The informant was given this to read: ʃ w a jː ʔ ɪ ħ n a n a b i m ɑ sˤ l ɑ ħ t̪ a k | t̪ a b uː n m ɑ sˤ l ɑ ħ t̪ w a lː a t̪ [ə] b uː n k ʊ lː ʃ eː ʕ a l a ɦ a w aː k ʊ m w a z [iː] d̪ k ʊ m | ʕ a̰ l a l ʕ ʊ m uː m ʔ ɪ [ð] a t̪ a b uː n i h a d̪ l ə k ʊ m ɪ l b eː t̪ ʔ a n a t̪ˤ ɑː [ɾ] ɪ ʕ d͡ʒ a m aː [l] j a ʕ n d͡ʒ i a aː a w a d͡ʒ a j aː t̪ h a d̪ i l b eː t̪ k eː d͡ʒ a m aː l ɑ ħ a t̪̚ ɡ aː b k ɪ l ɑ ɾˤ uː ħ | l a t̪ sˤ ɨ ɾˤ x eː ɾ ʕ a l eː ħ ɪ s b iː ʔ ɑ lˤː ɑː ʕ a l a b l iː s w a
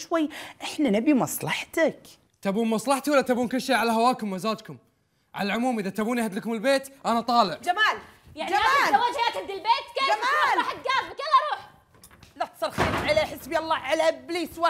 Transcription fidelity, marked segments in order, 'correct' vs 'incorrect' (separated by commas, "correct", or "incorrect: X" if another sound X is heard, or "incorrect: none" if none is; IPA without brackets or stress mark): incorrect: a, incorrect: aː, correct, incorrect: l, correct